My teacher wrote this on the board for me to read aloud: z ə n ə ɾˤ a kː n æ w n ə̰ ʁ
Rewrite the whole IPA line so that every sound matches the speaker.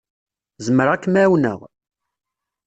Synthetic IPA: z ə m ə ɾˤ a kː m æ w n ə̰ ʁ